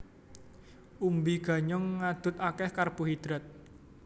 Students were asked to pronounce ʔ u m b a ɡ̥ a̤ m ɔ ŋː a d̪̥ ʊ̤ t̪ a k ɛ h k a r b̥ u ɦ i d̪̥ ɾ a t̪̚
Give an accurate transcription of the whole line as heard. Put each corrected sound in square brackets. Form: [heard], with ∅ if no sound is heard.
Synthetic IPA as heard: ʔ u m b [i] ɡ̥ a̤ [ɲ] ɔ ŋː a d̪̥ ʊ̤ t̪ a k ɛ h k a r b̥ u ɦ i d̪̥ ɾ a t̪̚